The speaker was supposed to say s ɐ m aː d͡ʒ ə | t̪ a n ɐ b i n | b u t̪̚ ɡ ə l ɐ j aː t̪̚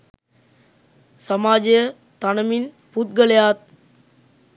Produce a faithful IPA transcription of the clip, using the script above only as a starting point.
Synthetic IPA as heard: s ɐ m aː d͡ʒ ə | t̪ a n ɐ m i n | p u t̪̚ ɡ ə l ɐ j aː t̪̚